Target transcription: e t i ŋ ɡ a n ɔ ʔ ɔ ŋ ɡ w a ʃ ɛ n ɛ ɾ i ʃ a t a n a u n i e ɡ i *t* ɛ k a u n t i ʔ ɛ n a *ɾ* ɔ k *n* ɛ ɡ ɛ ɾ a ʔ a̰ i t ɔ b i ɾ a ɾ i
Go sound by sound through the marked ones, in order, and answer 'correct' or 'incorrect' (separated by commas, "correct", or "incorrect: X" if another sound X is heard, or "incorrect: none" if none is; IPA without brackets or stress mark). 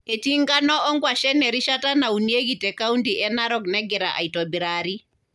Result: correct, correct, correct